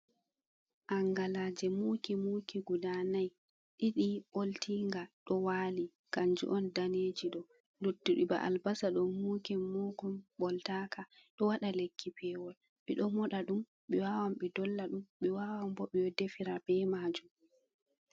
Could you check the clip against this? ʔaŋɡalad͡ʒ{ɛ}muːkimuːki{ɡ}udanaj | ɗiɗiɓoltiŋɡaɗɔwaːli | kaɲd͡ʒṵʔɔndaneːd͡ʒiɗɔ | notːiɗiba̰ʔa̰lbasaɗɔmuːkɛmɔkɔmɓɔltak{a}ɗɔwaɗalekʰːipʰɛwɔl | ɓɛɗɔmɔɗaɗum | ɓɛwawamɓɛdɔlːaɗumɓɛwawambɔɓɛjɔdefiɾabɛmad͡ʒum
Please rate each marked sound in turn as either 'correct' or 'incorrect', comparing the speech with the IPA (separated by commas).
correct, correct, correct